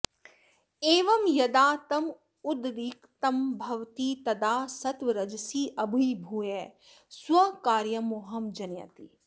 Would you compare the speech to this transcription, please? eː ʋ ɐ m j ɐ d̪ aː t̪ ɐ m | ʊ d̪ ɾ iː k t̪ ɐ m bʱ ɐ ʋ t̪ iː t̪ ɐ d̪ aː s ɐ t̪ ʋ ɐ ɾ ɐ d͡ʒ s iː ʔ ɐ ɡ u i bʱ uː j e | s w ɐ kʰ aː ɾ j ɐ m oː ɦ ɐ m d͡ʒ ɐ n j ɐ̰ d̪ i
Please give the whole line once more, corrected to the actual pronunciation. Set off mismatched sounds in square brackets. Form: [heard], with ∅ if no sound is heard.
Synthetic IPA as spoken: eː ʋ ɐ m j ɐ d̪ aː t̪ ɐ m | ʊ d̪ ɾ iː k t̪ ɐ m bʱ ɐ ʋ t̪ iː t̪ ɐ d̪ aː s ɐ t̪ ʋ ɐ ɾ ɐ d͡ʒ s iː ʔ ɐ [b] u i bʱ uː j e | s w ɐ [k] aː ɾ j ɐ m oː ɦ ɐ m d͡ʒ ɐ n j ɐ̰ [t̪] i